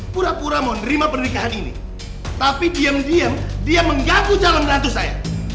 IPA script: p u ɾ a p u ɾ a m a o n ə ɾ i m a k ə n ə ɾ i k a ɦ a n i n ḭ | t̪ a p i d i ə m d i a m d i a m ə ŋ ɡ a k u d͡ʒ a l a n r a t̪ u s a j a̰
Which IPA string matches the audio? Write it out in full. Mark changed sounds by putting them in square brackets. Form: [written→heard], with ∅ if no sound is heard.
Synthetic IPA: p u ɾ a p u ɾ a m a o n ə ɾ i m a [k→p] ə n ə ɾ i k a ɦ a n i n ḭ | t̪ a p i d i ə m d i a m d i a m ə ŋ ɡ a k u d͡ʒ a l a n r a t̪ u s a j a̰